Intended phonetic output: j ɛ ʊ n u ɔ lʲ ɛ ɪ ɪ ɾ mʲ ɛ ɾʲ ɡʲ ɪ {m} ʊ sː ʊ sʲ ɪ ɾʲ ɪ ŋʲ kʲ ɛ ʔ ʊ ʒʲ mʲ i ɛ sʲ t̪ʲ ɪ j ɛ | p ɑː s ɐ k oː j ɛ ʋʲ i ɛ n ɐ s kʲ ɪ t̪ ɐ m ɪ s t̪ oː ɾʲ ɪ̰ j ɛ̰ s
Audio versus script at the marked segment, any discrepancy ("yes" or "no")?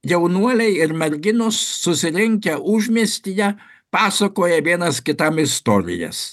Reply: yes